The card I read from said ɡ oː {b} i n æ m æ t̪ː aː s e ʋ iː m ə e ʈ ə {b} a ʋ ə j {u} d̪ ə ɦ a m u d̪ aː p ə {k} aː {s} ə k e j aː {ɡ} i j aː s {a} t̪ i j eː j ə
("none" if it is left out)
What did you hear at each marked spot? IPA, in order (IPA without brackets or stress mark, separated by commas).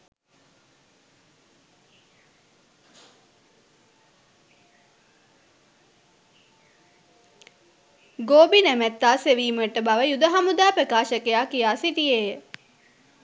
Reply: b, b, u, k, ʃ, k, i